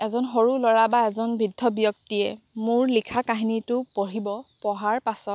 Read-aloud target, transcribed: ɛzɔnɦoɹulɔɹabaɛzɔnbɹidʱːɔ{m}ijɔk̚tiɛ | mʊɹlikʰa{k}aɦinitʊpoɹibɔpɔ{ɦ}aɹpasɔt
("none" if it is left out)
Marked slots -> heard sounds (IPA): b, k, ɦ

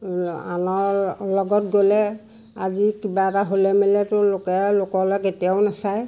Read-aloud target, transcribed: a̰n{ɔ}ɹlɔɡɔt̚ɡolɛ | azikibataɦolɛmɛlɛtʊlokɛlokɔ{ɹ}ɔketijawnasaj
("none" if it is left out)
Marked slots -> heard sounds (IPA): ɔ, l

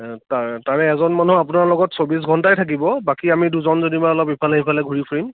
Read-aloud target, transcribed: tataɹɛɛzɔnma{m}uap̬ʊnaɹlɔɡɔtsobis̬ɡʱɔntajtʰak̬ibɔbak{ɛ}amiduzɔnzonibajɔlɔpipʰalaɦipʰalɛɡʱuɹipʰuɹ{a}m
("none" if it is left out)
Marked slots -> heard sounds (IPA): n, i, i

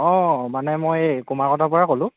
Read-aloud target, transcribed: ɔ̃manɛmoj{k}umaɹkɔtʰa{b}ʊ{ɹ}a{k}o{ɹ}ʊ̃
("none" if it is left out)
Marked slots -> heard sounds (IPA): k, p, ɹ, k, l

